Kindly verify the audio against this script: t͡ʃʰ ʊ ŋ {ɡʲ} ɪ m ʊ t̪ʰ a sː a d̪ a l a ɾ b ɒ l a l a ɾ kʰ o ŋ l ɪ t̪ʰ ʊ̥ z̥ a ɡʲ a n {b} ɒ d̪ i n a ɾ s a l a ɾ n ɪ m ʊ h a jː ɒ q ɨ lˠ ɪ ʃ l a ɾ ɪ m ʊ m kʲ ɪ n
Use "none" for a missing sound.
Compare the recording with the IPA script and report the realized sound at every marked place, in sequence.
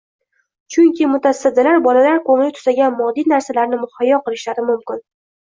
kʲ, m

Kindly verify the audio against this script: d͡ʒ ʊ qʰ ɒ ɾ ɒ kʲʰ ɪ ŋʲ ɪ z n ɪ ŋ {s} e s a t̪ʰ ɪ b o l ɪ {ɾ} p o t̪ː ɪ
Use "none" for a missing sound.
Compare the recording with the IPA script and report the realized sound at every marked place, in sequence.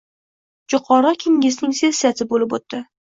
s, none

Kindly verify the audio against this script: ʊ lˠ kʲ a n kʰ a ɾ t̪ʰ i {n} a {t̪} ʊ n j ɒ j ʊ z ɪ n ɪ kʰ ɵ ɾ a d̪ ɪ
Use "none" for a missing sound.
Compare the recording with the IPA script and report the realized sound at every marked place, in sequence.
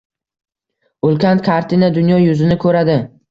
n, d̪

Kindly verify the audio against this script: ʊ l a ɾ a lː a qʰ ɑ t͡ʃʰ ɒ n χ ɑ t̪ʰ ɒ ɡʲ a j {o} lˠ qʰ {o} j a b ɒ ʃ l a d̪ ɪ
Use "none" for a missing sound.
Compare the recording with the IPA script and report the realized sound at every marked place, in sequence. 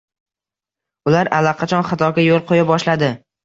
o, o

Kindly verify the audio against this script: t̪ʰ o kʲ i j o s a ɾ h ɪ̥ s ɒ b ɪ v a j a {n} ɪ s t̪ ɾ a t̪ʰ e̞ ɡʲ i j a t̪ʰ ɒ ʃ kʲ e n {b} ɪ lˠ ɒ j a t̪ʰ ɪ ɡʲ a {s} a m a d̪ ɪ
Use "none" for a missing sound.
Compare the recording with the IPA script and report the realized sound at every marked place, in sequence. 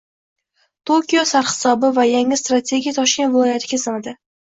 ŋ, v, s

